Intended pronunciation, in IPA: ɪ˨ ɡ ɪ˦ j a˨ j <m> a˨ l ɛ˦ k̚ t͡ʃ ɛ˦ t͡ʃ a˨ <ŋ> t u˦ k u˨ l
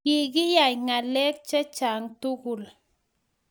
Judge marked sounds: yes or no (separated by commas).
no, yes